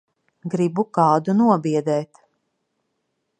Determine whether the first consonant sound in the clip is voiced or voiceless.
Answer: voiced